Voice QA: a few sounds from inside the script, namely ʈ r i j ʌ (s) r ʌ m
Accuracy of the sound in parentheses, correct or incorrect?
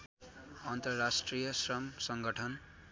correct